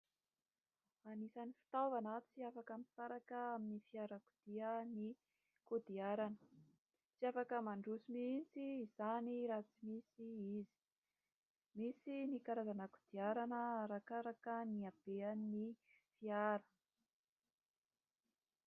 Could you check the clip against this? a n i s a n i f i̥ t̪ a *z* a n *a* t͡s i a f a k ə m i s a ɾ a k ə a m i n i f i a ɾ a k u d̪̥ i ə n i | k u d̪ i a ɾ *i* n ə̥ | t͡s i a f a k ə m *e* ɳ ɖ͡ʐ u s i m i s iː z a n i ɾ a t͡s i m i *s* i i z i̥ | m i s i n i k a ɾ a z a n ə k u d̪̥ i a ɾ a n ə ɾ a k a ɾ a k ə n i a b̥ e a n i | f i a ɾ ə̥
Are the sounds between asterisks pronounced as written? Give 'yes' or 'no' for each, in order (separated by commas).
no, yes, no, no, yes